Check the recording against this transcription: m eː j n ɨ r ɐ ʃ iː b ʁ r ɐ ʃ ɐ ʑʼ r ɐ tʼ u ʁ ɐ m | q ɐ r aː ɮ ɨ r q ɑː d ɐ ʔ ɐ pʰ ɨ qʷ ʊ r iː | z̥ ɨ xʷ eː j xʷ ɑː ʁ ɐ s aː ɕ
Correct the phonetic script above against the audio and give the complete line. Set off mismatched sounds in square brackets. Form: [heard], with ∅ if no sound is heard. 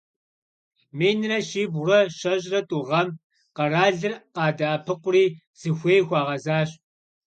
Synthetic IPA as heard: m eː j n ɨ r ɐ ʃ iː b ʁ r ɐ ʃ ɐ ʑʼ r ɐ tʼ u ʁ ɐ m | q ɐ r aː ɮ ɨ r q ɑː d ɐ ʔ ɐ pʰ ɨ qʷ ʊ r iː | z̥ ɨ xʷ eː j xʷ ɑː ʁ ɐ [z] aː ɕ